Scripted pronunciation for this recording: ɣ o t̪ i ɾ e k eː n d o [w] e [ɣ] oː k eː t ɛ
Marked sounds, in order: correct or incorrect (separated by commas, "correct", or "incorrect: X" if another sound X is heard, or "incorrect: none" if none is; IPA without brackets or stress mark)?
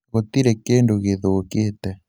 incorrect: ɣ, incorrect: ð